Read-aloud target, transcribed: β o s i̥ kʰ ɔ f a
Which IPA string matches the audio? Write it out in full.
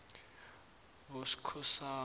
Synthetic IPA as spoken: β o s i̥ kʰ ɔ s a